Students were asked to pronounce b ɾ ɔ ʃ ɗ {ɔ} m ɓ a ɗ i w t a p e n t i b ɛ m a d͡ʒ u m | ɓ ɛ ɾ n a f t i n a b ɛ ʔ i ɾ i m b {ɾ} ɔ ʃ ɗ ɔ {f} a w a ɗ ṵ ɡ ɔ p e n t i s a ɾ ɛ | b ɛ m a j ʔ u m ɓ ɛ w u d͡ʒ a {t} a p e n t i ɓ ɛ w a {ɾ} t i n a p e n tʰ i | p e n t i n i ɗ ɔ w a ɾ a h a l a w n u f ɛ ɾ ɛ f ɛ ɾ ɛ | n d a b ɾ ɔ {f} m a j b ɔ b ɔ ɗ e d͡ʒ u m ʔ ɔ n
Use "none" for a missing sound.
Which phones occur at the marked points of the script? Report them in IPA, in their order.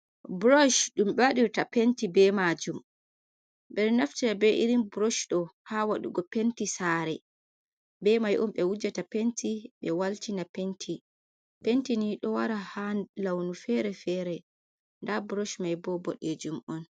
u, ɾ, h, t, l, ʃ

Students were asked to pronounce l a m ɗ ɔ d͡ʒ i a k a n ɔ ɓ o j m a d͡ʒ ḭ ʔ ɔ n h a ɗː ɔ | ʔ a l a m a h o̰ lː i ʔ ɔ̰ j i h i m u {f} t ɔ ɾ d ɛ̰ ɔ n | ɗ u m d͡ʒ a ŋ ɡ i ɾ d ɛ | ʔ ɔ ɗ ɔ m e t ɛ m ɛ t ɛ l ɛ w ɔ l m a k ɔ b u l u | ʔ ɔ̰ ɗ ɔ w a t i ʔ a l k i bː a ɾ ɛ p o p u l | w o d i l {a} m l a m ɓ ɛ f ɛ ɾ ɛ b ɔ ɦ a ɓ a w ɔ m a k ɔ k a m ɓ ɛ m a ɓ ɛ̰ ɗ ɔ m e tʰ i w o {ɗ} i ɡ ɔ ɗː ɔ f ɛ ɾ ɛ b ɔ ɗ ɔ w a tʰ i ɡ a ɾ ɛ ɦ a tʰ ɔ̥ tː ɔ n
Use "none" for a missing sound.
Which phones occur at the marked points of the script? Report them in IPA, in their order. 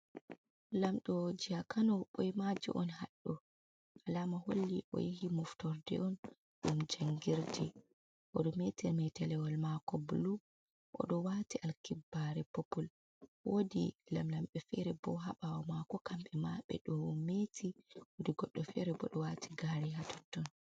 f, a, d

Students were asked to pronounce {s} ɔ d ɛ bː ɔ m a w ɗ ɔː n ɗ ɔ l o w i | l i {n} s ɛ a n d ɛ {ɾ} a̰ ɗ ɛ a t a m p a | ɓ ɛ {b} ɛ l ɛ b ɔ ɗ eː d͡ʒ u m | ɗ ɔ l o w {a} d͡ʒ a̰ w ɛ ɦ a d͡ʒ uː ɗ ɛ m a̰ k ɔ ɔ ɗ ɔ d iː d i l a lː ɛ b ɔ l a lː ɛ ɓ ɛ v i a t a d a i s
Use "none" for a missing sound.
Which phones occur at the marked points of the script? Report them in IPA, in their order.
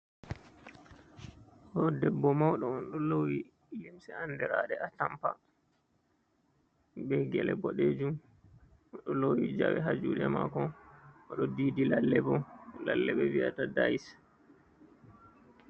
h, m, ɾ, ɡ, i

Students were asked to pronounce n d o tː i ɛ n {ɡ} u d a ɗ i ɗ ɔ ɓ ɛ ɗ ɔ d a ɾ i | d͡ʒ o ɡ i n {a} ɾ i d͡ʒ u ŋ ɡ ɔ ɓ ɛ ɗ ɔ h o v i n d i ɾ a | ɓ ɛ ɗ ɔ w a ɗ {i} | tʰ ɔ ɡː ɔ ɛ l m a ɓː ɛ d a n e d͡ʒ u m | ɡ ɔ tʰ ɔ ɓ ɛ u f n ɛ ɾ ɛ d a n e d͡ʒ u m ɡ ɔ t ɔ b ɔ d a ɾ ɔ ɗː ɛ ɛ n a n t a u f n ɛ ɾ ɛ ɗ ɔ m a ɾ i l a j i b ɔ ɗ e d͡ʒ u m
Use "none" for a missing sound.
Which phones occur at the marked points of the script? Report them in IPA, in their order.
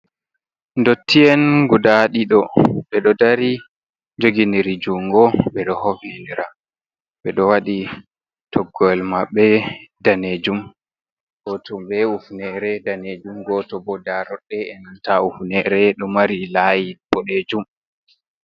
ɡ, i, i

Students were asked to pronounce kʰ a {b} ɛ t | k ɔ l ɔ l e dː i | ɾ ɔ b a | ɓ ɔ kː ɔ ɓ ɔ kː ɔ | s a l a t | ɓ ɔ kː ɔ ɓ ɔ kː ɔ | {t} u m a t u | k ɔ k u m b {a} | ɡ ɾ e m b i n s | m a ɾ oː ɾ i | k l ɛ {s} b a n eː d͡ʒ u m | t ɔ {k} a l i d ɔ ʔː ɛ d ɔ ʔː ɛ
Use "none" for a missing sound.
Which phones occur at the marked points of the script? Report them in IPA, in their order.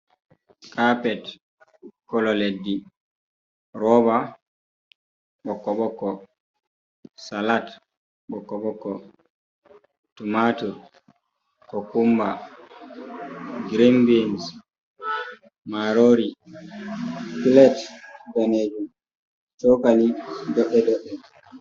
p, t, a, t, k

